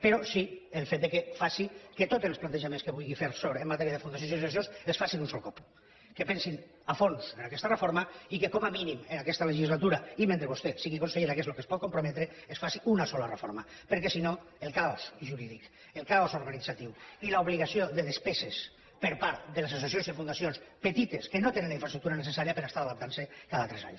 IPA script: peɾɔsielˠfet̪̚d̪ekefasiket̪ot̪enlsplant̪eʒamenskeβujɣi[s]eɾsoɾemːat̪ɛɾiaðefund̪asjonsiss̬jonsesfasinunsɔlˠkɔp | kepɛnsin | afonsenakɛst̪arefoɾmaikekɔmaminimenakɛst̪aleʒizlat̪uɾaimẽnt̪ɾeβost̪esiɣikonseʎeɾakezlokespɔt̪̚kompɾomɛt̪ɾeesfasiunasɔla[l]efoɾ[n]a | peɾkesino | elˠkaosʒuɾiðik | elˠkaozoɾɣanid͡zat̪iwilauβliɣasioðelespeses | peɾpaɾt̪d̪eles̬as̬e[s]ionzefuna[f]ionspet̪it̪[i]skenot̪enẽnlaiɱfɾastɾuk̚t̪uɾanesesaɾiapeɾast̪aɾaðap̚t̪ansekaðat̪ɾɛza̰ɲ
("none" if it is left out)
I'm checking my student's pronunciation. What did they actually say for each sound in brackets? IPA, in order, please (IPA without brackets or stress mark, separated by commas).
f, r, m, s, s, e